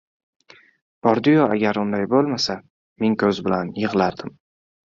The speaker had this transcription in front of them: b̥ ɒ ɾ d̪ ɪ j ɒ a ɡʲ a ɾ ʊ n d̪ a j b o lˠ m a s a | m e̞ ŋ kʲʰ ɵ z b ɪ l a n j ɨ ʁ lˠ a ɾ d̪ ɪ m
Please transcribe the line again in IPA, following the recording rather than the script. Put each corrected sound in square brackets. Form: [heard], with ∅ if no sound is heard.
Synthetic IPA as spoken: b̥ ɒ ɾ d̪ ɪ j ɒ a ɡʲ a ɾ ʊ n d̪ a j b o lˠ m a s a | m e̞ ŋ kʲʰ ɵ z b ɪ l a n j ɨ ʁ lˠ a ɾ d̪ ɪ m